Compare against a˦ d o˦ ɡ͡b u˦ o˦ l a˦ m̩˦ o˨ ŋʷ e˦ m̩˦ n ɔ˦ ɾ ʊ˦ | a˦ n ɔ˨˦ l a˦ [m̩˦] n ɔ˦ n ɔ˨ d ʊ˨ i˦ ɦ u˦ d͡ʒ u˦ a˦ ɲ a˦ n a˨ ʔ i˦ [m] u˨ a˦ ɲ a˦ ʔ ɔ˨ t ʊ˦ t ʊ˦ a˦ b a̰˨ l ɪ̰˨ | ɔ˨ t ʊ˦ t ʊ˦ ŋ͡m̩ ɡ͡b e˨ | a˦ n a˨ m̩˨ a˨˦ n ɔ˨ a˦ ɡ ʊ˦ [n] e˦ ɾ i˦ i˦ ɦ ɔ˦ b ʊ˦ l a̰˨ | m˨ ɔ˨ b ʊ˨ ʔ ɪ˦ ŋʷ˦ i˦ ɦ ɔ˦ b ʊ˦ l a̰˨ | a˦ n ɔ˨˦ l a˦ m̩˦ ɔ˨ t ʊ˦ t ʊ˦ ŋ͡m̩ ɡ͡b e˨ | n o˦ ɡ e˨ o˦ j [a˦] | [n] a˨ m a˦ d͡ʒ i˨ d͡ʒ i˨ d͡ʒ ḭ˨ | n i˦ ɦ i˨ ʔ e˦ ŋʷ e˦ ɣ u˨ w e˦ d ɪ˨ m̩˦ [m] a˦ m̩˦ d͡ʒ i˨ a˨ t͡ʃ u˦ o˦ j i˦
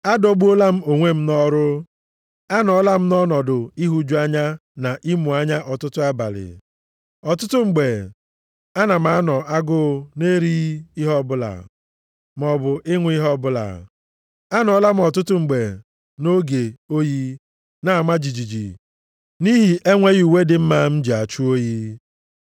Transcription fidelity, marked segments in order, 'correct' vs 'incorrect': correct, correct, correct, incorrect, correct, correct

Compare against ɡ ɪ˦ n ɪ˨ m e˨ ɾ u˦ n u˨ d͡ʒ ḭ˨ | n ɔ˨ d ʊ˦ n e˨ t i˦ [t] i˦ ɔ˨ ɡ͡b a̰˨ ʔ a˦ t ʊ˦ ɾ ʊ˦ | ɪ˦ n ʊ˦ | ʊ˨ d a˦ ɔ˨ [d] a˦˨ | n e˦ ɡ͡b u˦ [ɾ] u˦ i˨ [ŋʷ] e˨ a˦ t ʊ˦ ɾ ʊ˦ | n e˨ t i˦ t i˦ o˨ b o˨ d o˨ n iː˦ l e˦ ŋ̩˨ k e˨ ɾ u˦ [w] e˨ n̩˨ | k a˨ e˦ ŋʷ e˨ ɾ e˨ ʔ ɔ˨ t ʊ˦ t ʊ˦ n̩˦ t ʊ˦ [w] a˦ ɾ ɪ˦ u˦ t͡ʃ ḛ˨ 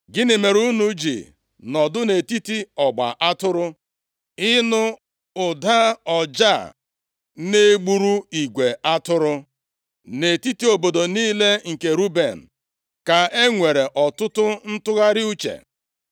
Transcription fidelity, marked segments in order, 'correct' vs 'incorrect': correct, incorrect, correct, incorrect, incorrect, incorrect

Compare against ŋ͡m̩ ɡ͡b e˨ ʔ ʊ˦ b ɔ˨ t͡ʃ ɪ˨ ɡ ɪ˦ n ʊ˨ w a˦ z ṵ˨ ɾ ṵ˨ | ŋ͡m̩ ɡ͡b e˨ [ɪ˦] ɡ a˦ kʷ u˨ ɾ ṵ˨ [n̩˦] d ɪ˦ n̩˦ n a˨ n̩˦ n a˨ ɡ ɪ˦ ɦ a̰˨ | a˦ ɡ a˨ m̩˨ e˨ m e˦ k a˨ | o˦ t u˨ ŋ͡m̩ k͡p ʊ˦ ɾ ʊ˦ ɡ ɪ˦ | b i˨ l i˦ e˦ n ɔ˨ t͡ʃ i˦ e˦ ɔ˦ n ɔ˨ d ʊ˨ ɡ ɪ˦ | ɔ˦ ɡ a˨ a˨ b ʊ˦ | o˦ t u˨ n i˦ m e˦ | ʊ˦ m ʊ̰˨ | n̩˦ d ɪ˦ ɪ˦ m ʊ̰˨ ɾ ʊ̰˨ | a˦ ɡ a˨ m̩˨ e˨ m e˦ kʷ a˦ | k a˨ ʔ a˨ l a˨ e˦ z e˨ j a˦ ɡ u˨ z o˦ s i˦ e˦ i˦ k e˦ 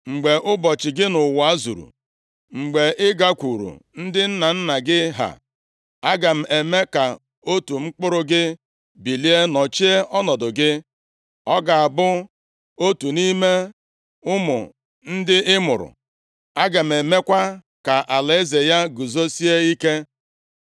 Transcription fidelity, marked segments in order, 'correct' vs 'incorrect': correct, correct

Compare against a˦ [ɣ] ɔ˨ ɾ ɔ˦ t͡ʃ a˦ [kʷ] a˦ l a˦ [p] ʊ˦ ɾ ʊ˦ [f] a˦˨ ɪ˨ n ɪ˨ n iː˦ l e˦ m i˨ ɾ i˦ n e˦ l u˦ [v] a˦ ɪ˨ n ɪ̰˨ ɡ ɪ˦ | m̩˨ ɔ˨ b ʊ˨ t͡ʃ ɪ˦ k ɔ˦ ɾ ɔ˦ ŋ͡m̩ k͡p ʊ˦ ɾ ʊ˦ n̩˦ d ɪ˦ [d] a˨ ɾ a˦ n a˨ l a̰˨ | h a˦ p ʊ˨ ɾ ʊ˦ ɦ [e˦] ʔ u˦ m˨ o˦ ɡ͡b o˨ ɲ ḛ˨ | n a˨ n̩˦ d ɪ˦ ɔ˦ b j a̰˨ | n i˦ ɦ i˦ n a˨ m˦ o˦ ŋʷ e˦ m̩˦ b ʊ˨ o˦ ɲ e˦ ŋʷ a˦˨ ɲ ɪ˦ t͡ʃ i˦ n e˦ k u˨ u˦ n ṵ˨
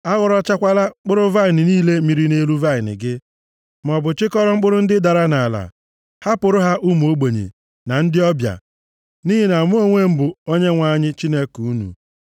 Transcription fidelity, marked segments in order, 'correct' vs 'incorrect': correct, correct, incorrect, incorrect, correct, correct, incorrect

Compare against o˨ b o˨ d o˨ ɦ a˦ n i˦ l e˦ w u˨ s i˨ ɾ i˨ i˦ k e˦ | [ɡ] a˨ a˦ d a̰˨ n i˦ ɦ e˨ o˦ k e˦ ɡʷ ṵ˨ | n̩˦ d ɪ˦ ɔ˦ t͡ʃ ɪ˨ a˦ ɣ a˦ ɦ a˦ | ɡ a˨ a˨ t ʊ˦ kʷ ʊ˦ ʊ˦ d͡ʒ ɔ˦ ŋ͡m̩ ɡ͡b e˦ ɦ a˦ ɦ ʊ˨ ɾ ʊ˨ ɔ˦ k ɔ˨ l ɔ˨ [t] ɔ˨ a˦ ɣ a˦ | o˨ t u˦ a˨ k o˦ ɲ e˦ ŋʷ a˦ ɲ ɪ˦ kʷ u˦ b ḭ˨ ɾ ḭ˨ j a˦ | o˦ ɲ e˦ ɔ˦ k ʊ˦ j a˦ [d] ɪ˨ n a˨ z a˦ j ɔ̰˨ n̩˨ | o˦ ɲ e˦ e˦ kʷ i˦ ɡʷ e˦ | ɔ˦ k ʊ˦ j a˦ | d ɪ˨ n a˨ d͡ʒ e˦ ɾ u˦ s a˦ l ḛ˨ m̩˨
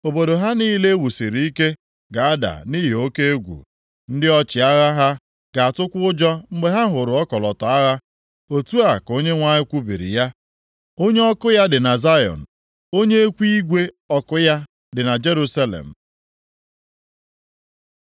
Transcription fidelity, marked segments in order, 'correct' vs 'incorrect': correct, correct, correct

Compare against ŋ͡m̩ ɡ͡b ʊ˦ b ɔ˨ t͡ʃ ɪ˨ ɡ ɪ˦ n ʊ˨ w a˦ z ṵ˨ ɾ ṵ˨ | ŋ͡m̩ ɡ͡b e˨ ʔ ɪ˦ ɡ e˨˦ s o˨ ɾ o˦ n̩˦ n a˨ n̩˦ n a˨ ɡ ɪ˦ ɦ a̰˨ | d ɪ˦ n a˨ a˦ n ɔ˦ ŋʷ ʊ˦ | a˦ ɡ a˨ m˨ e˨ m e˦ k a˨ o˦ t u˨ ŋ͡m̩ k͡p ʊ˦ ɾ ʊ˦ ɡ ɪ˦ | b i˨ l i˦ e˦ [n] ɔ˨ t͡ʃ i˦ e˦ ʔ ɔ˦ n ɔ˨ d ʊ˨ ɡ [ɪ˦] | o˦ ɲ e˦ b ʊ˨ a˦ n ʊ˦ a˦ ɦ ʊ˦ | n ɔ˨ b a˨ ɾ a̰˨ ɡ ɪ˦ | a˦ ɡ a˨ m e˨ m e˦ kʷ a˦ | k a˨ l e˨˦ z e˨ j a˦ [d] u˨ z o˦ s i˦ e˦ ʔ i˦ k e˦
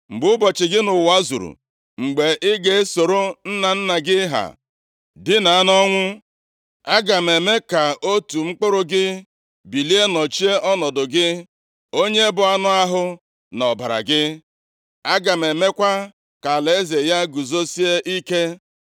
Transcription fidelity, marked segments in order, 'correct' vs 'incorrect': correct, correct, incorrect

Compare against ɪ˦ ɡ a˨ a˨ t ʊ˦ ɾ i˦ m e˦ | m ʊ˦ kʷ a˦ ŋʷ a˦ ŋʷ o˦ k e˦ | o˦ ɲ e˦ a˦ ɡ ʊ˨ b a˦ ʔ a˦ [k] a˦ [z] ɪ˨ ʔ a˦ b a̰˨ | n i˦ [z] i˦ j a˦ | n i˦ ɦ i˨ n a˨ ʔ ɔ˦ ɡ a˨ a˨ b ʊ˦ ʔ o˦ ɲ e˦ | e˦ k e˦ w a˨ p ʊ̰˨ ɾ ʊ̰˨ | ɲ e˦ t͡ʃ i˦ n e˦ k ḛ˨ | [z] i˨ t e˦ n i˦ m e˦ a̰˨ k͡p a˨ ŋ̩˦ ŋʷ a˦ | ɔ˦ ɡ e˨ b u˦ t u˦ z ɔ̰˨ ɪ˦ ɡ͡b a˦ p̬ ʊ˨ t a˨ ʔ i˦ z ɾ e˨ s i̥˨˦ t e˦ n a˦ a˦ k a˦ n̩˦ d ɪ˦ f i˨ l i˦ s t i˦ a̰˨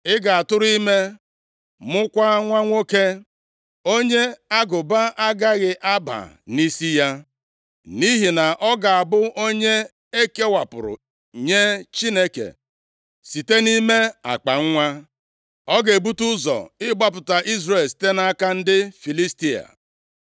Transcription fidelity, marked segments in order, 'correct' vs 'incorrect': incorrect, incorrect, incorrect, incorrect

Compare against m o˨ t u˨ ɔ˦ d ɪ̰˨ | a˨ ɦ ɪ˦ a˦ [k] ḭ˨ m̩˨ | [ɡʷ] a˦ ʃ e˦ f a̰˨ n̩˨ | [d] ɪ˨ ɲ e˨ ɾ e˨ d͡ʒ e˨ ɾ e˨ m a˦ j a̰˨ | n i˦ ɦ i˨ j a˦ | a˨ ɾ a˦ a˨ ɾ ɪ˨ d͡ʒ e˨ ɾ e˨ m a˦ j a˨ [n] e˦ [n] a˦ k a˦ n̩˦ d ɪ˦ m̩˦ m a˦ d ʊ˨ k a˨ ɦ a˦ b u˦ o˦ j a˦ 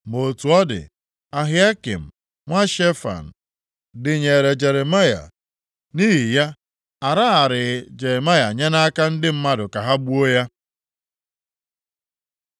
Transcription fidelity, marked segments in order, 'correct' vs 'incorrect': correct, incorrect, correct, incorrect, correct

